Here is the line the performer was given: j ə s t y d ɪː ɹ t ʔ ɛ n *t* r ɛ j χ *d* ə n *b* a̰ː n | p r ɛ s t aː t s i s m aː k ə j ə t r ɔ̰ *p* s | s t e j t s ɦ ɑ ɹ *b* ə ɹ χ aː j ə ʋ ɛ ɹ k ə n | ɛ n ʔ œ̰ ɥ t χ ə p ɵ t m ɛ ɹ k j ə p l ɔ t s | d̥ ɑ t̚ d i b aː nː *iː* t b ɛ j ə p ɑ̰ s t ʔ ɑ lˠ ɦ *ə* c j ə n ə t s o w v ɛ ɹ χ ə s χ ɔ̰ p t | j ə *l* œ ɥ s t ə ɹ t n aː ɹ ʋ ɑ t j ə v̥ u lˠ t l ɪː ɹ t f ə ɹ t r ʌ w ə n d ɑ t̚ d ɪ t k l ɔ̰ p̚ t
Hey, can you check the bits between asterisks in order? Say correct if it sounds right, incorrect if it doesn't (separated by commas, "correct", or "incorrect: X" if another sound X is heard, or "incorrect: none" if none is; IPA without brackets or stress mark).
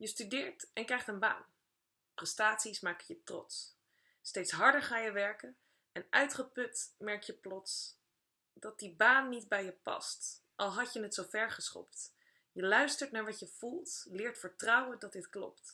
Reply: incorrect: k, incorrect: t, correct, incorrect: t, incorrect: d, incorrect: i, incorrect: ɑ, correct